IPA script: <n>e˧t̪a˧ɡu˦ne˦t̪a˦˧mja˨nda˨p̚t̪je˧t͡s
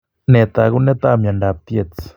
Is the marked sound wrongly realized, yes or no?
no